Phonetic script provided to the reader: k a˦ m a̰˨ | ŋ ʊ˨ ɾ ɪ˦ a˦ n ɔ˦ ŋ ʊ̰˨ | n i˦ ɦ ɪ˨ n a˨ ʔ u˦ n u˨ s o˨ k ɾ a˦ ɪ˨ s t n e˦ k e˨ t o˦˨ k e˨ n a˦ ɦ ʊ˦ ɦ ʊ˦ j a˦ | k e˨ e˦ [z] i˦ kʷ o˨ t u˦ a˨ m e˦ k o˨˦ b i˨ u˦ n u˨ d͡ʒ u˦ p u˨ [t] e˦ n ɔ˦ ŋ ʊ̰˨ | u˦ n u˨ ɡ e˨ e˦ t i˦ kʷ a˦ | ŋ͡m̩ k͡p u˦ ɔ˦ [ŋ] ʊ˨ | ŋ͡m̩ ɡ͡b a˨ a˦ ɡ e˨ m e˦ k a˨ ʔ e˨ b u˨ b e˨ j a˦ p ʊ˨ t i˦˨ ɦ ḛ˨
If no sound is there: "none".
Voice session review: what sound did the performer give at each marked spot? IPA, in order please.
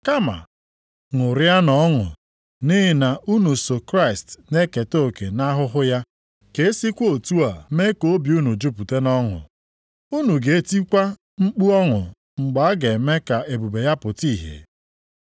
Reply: s, t, ŋ

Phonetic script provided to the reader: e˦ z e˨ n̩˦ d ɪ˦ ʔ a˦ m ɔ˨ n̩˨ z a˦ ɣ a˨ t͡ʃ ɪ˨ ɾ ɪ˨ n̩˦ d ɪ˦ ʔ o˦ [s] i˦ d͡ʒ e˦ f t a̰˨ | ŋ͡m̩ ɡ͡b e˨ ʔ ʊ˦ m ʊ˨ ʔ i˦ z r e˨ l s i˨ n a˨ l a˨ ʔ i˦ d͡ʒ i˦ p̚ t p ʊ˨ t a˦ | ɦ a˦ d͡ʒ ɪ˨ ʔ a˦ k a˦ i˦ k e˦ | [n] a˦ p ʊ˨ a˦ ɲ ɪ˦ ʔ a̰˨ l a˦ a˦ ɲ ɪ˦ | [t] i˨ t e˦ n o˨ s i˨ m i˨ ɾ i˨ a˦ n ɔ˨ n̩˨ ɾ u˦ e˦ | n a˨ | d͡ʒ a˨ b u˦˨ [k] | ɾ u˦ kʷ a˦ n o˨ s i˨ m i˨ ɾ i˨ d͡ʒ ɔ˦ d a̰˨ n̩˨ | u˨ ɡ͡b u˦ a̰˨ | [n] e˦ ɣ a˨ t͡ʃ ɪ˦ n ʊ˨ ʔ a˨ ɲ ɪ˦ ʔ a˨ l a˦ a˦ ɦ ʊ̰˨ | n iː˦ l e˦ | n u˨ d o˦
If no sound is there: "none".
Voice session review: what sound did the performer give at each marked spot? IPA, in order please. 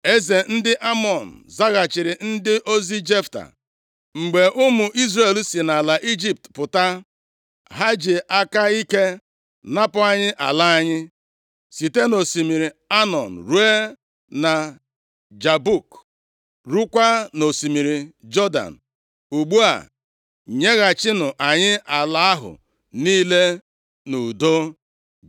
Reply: z, n, s, k, ɲ

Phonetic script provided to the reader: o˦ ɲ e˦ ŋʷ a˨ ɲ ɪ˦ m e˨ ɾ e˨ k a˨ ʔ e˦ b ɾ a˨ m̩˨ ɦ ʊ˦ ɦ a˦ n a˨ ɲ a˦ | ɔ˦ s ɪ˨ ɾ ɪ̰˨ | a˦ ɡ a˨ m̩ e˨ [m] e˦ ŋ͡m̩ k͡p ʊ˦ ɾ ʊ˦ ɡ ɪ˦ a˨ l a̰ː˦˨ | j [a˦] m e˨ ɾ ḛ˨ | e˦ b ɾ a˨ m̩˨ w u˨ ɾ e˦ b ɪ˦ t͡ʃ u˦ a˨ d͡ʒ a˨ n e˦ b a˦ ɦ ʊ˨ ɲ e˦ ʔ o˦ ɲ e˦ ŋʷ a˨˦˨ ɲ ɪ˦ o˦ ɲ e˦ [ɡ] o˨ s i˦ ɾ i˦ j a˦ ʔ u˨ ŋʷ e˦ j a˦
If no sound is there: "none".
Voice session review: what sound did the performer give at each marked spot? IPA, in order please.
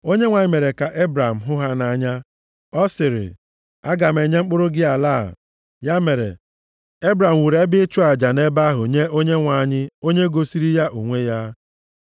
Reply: ɲ, a˦, ɡ

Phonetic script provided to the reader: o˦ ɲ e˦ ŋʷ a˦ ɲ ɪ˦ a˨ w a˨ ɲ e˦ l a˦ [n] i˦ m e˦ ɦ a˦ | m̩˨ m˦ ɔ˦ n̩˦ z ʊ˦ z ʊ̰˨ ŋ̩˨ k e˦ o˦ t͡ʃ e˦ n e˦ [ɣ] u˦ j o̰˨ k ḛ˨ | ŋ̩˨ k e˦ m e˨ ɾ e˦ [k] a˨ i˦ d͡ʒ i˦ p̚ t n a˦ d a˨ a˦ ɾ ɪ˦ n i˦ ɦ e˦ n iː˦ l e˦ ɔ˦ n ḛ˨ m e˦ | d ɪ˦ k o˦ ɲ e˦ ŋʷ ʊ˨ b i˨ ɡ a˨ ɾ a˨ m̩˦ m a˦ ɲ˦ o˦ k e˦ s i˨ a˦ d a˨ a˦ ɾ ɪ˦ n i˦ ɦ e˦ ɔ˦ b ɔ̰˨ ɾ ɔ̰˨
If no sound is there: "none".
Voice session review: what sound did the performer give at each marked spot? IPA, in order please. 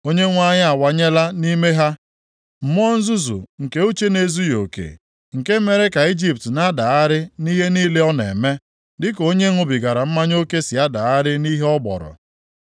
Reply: n, z, k

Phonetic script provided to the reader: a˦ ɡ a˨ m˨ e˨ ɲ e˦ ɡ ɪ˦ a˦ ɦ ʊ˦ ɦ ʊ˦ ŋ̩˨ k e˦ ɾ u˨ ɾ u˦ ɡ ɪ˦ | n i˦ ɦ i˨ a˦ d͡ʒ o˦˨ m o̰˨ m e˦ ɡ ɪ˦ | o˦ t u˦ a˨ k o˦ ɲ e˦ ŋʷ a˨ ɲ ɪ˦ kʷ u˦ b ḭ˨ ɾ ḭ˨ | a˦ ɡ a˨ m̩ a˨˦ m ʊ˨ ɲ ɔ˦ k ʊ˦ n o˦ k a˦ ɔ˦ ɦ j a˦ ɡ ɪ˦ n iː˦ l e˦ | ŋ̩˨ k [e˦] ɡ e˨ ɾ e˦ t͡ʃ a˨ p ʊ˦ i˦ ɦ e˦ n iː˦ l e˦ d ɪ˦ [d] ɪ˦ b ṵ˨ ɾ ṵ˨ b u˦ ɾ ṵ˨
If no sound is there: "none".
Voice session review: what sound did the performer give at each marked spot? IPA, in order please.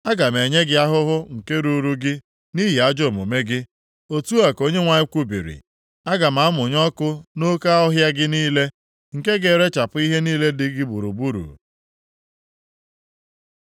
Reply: e˦, ɡ

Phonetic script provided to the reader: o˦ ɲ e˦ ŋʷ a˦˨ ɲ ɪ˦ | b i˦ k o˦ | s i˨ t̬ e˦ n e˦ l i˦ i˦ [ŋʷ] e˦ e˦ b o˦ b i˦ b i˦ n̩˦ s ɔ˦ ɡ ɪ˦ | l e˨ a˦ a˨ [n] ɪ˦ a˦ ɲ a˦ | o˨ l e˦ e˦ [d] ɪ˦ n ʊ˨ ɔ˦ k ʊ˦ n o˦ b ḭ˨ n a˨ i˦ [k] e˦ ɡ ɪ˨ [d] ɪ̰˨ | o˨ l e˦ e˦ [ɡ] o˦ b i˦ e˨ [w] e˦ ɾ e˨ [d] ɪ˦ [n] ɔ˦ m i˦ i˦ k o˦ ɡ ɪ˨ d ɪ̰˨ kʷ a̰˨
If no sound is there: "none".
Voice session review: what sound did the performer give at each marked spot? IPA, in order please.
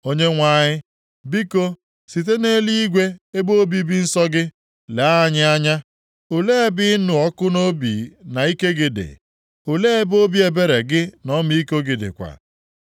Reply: ɡʷ, ɲ, b, k, d, b, b, ɡ, n

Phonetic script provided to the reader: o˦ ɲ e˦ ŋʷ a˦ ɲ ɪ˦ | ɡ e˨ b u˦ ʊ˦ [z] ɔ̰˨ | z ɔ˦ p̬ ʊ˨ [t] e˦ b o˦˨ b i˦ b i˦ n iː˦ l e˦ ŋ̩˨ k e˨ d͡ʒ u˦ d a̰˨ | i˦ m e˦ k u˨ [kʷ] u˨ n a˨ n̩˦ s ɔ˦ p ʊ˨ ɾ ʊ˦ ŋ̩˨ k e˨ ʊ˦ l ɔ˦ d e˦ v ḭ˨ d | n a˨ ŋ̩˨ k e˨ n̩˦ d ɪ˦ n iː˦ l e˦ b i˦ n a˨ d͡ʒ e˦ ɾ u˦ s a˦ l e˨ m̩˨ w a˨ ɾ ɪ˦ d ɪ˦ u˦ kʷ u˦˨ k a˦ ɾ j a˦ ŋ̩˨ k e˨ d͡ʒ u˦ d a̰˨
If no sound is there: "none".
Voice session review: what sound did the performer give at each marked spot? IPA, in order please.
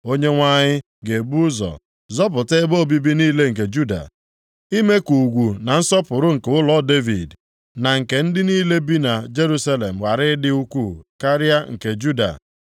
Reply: z, t, ɡʷ

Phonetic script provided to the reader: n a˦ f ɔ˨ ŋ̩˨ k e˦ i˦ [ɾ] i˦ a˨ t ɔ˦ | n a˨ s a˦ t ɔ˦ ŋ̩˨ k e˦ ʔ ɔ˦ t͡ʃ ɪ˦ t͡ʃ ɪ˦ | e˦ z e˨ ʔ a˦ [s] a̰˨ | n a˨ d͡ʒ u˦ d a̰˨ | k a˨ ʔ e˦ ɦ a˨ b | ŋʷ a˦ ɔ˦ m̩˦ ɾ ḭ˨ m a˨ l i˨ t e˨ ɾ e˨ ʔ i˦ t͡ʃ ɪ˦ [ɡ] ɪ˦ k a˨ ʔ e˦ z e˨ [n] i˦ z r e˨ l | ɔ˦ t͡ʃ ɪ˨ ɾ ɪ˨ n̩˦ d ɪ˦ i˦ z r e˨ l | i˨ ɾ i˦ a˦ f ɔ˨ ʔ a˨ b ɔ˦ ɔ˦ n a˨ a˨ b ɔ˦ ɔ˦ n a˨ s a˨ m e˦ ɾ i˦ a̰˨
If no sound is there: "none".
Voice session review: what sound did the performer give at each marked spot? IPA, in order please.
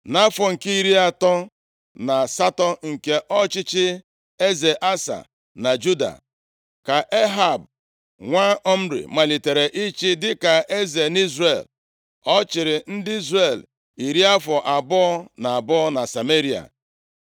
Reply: ɾ, s, d, n

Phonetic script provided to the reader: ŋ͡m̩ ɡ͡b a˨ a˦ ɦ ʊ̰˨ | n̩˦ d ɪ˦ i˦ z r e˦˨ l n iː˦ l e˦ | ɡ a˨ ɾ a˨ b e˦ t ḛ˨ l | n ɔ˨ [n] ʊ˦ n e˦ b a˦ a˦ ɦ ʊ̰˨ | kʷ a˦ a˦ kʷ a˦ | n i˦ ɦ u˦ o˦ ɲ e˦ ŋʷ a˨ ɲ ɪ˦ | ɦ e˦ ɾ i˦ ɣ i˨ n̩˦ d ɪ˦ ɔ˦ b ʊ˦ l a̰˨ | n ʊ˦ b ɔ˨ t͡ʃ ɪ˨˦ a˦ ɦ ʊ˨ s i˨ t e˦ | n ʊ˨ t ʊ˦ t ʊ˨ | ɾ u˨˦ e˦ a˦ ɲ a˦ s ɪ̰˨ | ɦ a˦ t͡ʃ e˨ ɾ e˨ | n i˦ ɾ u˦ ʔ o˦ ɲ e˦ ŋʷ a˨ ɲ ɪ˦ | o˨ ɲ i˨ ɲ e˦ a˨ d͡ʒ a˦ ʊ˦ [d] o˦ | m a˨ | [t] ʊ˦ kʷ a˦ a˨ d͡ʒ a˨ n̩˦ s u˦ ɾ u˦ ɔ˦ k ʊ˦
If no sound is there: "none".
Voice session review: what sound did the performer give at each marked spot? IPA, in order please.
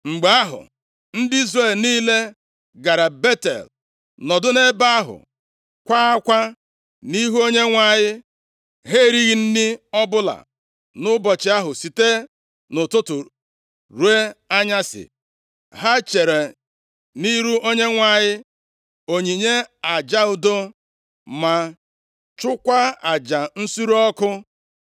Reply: d, d, t͡ʃ

